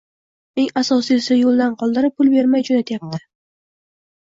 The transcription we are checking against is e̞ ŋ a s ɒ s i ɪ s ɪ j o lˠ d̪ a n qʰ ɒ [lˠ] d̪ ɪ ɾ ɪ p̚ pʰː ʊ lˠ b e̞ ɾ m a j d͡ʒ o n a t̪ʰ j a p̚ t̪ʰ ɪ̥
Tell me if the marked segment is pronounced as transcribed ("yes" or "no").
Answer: yes